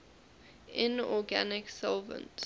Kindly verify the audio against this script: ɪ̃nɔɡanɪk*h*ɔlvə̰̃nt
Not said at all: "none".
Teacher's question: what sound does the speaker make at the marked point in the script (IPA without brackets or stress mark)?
s